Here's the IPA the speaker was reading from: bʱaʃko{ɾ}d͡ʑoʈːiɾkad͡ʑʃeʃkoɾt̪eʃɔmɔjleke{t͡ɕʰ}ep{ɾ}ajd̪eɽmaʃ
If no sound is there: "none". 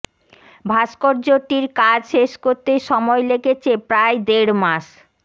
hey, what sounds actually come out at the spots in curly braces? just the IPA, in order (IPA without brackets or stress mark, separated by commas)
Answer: ɾ, t͡ɕʰ, ɾ